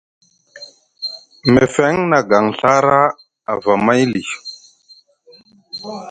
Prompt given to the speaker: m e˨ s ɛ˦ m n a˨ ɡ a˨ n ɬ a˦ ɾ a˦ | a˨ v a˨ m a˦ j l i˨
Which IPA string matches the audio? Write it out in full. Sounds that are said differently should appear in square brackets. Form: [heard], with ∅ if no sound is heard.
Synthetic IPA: m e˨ [f] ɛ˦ [ŋ] n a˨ ɡ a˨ [ŋ] ɬ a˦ ɾ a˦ | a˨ v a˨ m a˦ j l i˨